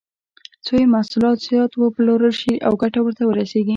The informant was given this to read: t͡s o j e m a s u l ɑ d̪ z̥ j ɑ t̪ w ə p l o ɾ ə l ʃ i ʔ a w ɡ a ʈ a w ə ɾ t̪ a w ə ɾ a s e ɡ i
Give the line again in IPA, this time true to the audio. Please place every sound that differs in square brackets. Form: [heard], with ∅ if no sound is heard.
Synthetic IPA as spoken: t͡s o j e m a s u l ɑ [t̪] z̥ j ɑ t̪ w ə p l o ɾ ə l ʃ i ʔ a w ɡ a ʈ a w ə ɾ t̪ a w ə ɾ a s e ɡ i